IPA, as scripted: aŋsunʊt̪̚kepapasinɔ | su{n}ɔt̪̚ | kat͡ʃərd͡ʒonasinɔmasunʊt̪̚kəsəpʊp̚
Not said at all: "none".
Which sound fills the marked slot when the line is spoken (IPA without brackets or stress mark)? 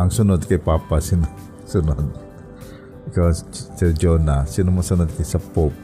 n